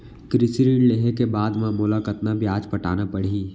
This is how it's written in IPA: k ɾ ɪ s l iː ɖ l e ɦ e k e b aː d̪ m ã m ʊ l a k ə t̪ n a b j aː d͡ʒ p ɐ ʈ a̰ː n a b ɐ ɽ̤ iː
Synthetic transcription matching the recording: k ɾ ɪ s ɾ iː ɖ l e ɦ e k e b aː d̪ m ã m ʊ l a k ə t̪ n a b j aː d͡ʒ p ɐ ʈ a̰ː n a p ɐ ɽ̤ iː